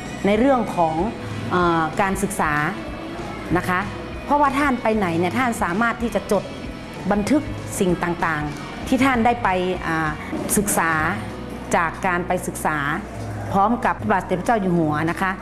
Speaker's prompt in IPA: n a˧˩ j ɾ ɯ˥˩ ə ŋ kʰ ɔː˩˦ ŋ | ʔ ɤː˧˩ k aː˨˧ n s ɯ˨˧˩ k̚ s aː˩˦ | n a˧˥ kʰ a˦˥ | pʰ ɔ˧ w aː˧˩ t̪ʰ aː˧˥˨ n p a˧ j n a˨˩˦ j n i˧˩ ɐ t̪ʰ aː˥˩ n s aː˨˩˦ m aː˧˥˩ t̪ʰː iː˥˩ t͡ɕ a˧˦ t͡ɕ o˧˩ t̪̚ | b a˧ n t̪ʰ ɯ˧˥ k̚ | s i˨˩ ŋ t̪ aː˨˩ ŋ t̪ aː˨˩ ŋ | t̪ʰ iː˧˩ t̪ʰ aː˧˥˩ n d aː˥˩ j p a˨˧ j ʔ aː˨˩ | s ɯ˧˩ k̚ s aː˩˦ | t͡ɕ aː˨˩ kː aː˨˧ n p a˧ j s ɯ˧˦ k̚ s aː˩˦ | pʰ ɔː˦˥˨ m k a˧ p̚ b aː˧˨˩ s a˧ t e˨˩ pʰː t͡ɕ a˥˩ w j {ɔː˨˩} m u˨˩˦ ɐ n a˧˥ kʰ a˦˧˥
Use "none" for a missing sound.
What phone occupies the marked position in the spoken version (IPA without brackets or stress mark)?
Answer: uː˨˩